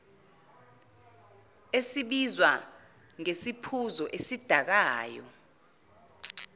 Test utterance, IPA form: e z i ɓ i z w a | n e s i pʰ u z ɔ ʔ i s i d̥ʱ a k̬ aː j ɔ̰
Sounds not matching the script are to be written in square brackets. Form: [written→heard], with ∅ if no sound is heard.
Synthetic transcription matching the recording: e [z→s] i ɓ i z w a | [n→ŋ] e s i pʰ u z ɔ ʔ [i→e] s i d̥ʱ a k̬ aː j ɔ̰

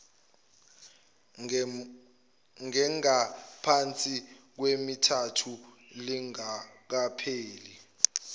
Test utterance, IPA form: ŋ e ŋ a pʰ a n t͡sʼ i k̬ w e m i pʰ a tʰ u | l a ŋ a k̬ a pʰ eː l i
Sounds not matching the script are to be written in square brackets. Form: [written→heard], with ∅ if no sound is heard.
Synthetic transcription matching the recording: ŋ [e→ɛ] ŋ a pʰ a n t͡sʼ i k̬ w e m i [pʰ→tʰ] a tʰ u | l [a→i] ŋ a k̬ a pʰ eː l i

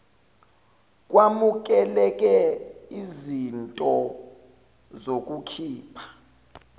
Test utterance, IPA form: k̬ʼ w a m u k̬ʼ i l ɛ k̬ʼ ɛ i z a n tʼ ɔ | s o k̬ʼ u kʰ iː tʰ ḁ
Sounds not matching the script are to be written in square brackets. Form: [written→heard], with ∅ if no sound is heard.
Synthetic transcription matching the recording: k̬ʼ w a m u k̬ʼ [i→ɛ] l ɛ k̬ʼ ɛ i z [a→i] n tʼ ɔ | [s→z] o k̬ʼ u kʰ iː [tʰ→pʰ] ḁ

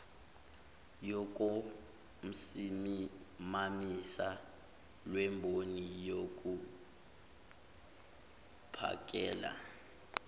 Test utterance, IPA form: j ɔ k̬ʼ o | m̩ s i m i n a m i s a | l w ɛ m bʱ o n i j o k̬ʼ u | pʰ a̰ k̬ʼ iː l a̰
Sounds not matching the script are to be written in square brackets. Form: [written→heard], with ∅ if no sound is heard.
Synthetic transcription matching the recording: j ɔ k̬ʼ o | m̩ s i m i [n→m] a m i s a | l w ɛ m bʱ o n i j o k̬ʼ u | pʰ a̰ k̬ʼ [iː→ɛː] l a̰

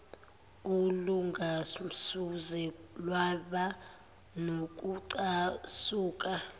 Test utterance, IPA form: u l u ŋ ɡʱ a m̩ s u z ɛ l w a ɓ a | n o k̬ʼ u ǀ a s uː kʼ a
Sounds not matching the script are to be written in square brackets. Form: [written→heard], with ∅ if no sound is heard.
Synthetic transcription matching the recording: u l u ŋ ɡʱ a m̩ s u z ɛ l w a ɓ a | n o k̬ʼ u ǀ a s uː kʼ a

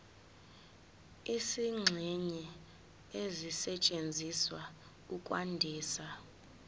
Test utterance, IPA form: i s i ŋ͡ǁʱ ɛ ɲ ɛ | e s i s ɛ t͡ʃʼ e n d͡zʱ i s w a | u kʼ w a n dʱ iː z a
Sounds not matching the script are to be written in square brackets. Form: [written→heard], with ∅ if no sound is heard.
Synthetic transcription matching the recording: i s i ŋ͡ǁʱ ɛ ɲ ɛ | e [s→z] i s ɛ t͡ʃʼ e n d͡zʱ i s w a | u kʼ w a n dʱ iː [z→s] a

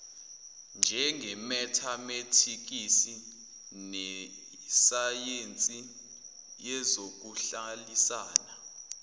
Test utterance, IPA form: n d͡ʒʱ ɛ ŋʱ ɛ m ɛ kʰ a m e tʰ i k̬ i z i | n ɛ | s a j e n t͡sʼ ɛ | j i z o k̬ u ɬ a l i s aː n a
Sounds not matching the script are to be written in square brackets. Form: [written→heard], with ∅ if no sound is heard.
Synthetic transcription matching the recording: n d͡ʒʱ ɛ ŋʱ ɛ m ɛ [kʰ→tʰ] a m e tʰ i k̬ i [z→s] i | n ɛ | s a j e n t͡sʼ [ɛ→i] | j [i→ɛ] z o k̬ u ɬ a l i s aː n a

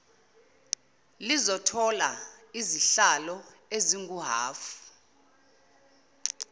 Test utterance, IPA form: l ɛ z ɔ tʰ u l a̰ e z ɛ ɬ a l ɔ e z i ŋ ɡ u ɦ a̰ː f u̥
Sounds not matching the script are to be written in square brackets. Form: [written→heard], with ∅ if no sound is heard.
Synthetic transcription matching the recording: l [ɛ→i] z ɔ tʰ [u→ɔ] l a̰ [e→i] z [ɛ→i] ɬ a l ɔ e z i ŋ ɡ u ɦ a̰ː f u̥

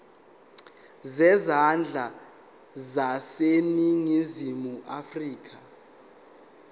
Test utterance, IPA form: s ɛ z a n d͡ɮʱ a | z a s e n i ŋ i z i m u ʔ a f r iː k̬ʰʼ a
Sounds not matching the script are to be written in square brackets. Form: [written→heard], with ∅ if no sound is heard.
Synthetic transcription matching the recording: [s→z] ɛ z a n d͡ɮʱ a | z a s e n i ŋ i z i m u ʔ a f r iː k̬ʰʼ a

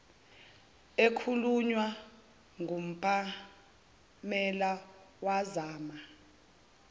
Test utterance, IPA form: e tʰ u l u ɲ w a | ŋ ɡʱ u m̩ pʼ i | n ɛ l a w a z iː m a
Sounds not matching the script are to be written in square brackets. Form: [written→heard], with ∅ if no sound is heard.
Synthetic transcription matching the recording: e [tʰ→kʰ] u l u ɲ w a | ŋ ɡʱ u m̩ pʼ [i→a] | [n→m] ɛ l a w a z [iː→aː] m a

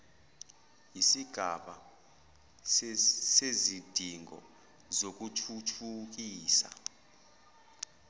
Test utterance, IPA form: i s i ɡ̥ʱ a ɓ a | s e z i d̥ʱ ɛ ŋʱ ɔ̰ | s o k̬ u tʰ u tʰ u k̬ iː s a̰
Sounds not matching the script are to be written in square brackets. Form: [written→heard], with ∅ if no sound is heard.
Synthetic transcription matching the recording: i s i ɡ̥ʱ a ɓ a | s e z i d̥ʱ [ɛ→i] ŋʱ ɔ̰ | [s→z] o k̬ u tʰ u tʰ u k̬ iː s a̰

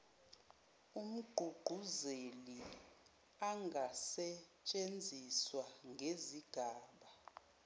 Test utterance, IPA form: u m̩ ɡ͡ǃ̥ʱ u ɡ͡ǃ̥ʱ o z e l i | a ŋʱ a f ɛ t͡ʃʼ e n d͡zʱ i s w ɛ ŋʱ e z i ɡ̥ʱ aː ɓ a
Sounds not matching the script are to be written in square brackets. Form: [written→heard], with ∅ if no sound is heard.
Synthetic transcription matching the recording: u m̩ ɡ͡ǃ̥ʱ u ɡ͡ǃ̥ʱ [o→u] z e l i | a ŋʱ a [f→s] ɛ t͡ʃʼ e n d͡zʱ i s w [ɛ→a] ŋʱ e z i ɡ̥ʱ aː ɓ a

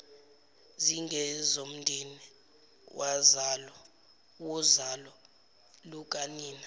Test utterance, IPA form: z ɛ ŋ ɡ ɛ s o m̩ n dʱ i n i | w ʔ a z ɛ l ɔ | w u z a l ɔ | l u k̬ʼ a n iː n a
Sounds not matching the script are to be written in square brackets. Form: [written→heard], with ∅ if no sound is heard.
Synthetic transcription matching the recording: z [ɛ→i] ŋ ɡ ɛ [s→z] o m̩ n dʱ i n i | w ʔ a z [ɛ→a] l ɔ | w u z a l ɔ | l u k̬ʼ a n iː n a

